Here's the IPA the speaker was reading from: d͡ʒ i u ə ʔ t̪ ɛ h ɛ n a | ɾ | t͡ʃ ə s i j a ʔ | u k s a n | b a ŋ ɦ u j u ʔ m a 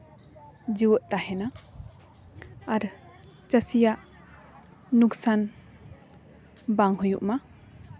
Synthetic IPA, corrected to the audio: d͡ʒ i w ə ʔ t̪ a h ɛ n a | ɾ | t͡ʃ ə s i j a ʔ | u k s a n | b a ŋ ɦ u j u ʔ m a

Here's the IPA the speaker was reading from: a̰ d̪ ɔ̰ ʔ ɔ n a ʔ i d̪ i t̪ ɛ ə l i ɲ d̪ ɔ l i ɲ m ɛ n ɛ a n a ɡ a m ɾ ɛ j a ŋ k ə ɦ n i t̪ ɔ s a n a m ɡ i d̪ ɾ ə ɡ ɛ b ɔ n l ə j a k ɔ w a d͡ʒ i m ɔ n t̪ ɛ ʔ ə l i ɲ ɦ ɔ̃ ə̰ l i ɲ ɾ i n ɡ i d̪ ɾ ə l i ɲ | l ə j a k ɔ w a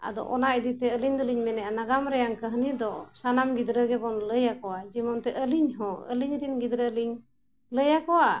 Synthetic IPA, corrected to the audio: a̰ d̪ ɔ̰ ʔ ɔ n a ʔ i d̪ i t̪ ɛ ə l i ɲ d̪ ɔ l i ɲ m ɛ n ɛ a n a ɡ a m ɾ ɛ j a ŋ k ə ɦ n i d̪ ɔ s a n a m ɡ i d̪ ɾ ə ɡ ɛ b ɔ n l ə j a k ɔ w a d͡ʒ i m ɔ n t̪ ɛ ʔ ə l i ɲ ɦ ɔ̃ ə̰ l i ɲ ɾ i n ɡ i d̪ ɾ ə l i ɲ | l ə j a k ɔ w a

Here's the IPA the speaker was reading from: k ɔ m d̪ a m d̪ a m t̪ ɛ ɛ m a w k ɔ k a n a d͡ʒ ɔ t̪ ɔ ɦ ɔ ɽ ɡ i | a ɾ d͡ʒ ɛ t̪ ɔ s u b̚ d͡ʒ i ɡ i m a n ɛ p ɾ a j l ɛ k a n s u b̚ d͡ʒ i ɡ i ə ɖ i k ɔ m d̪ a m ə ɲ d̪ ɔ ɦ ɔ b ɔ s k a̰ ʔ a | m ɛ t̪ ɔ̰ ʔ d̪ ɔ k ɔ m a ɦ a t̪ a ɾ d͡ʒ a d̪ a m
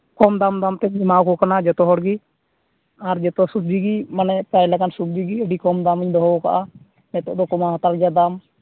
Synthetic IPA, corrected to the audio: k ɔ m d̪ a m d̪ a m t̪ ɛ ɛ m a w k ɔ k a n a d͡ʒ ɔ t̪ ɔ ɦ ɔ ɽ ɡ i | a ɾ d͡ʒ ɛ t̪ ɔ s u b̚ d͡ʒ i ɡ i m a n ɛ p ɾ a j l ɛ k a n s u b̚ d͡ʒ i ɡ i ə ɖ i k ɔ m d̪ a m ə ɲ d̪ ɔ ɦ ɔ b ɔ k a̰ ʔ a | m ɛ t̪ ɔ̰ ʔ d̪ ɔ k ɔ m a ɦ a t̪ a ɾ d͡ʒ a d̪ a m

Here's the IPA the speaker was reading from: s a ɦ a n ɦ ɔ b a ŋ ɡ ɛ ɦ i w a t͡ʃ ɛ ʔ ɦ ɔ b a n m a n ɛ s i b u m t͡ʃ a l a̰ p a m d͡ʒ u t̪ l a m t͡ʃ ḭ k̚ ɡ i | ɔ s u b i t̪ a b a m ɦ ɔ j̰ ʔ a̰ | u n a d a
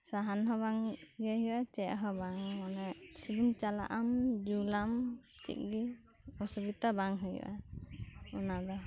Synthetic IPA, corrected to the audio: s a ɦ a n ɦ ɔ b a ŋ ɡ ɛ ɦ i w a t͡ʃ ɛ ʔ ɦ ɔ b a ŋ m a n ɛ s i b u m t͡ʃ a l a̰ ʔ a m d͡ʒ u l a m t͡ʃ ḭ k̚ ɡ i | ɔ s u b i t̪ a b a ŋ ɦ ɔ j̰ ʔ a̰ | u n a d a

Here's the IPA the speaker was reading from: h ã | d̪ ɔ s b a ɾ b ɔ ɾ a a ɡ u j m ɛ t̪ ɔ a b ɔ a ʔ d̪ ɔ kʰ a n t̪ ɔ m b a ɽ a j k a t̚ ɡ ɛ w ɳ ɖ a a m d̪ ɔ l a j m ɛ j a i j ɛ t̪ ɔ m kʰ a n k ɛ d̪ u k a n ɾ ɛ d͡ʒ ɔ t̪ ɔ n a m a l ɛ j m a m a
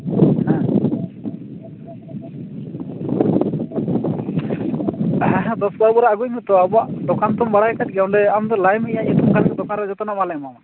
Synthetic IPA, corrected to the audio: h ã | d̪ ɔ s b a ɾ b ɔ ɾ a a ɡ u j m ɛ t̪ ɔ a b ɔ a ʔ d̪ ɔ k a n t̪ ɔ m b a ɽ a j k a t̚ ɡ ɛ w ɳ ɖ ɛ a m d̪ ɔ l a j m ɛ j a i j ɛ t̪ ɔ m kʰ a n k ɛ d̪ ɔ k a n ɾ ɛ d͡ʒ ɔ t̪ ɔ n a m a l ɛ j m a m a

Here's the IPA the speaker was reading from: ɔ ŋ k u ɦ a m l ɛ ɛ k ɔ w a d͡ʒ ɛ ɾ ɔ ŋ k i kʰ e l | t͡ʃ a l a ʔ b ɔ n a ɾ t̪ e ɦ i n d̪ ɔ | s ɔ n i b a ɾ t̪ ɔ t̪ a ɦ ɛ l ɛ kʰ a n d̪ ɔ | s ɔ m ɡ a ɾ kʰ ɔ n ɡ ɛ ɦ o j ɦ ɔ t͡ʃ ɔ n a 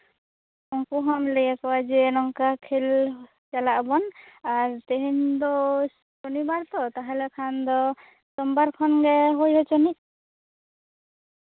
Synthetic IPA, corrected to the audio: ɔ ŋ k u ɦ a m l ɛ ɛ k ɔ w a d͡ʒ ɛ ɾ ɔ ŋ k a kʰ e l | t͡ʃ a l a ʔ b ɔ n a ɾ t̪ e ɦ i n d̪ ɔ | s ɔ n i b a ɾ t̪ ɔ t̪ a ɦ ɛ l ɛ kʰ a n d̪ ɔ | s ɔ m b a ɾ kʰ ɔ n ɡ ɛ ɦ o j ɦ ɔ t͡ʃ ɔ n i

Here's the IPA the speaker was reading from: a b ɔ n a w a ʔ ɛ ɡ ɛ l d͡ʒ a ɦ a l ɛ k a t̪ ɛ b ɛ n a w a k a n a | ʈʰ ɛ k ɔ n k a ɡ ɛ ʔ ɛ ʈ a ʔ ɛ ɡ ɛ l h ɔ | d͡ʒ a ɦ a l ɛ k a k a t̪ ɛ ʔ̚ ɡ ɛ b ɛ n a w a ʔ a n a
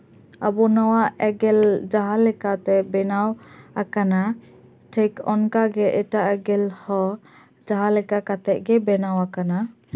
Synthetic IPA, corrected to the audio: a b ɔ n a w a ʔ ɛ ɡ ɛ l d͡ʒ a ɦ a l ɛ k a t̪ ɛ b ɛ n a w a k a n a | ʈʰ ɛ k ɔ n k a ɡ ɛ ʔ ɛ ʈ a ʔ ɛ ɡ ɛ l h ɔ | d͡ʒ a ɦ a l ɛ k a k a t̪ ɛ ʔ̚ ɡ ɛ b ɛ n a w a k a n a

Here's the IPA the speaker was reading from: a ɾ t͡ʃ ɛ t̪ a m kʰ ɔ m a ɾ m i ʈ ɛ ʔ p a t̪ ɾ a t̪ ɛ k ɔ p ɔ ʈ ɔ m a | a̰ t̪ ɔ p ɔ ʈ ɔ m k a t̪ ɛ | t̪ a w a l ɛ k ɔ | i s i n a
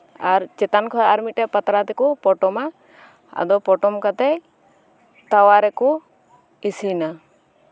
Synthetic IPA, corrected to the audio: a ɾ t͡ʃ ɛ t̪ a n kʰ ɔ a ɾ m i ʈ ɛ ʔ p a t̪ ɾ a t̪ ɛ k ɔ p ɔ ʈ ɔ m a | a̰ d̪ ɔ p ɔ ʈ ɔ m k a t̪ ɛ | t̪ a w a ɾ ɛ k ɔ | i s i n a

